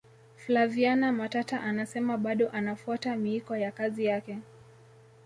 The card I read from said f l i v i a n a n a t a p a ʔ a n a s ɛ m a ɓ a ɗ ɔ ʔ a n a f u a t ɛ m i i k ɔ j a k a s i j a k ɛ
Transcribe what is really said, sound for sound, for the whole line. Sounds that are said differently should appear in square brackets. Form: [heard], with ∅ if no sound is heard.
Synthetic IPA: f l [a] v i a n a [m] a t a [t] a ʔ a n a s ɛ m a ɓ a ɗ ɔ ʔ a n a f u a t [a] m i i k ɔ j a k a [z] i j a k ɛ